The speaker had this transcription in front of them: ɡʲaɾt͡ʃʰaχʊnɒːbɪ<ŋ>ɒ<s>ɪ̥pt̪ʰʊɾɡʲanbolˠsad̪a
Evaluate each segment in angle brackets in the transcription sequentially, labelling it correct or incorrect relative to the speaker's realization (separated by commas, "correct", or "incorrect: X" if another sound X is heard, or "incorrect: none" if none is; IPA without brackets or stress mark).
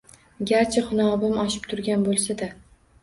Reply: incorrect: m, incorrect: ʃ